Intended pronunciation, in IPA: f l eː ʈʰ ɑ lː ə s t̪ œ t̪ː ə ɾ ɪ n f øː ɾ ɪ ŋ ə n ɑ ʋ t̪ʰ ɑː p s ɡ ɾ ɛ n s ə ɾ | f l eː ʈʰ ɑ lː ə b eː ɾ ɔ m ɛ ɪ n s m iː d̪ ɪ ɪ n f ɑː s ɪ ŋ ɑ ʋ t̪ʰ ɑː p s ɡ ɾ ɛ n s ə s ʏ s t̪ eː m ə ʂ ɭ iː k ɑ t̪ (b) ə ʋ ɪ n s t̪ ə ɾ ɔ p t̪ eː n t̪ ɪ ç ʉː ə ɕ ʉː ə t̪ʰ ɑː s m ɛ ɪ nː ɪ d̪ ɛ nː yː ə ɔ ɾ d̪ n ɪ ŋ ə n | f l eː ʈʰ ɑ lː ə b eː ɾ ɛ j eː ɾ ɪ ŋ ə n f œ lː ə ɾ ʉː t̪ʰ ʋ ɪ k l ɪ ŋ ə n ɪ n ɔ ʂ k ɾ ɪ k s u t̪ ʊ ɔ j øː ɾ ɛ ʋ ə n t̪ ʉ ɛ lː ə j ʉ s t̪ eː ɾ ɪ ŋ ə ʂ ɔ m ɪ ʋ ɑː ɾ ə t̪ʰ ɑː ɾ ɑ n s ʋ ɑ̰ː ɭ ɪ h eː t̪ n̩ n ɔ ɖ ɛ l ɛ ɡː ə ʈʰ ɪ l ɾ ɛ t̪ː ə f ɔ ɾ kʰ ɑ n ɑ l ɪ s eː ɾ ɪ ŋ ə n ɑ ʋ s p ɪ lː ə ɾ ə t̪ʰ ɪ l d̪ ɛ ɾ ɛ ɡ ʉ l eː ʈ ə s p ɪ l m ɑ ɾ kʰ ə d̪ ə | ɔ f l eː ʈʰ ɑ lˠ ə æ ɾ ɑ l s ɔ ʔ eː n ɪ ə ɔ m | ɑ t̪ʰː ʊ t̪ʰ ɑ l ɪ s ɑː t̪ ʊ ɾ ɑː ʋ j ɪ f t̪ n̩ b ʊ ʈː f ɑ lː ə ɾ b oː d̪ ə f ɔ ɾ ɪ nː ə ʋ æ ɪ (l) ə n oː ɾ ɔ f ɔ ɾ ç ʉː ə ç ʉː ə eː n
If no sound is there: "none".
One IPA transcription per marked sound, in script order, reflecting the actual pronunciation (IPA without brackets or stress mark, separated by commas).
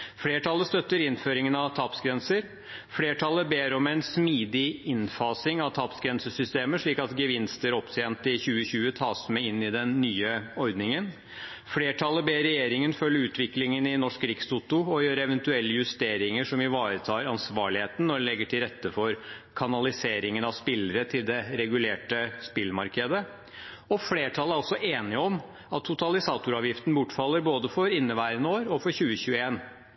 ɡ, ɾ